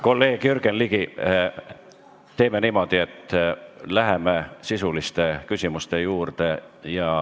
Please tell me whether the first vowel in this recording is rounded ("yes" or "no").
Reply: yes